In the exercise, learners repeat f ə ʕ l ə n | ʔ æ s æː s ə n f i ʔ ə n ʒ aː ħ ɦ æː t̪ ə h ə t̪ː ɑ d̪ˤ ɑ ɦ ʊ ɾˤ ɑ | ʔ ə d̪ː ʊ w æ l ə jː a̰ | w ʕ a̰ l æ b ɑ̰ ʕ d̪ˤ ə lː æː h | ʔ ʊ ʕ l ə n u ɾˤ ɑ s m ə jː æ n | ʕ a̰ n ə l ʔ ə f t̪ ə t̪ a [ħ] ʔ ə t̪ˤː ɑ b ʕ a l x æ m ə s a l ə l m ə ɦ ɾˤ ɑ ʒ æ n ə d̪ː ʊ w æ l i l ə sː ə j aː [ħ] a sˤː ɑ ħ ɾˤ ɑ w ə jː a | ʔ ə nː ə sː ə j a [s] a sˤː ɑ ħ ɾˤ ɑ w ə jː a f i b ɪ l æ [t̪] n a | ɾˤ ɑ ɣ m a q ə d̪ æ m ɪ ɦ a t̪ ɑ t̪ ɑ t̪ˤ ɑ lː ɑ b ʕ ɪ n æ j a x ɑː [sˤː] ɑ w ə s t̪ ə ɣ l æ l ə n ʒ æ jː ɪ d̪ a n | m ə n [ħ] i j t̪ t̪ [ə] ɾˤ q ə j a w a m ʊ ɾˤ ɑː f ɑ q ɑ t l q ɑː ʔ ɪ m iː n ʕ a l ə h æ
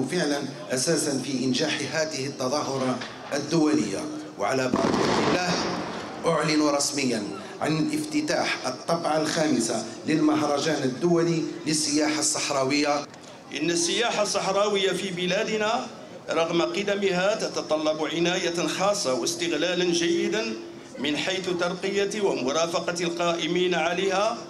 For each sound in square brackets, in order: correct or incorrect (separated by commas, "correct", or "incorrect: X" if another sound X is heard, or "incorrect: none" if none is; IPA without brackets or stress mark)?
correct, correct, incorrect: ħ, incorrect: d̪, correct, correct, incorrect: ɑ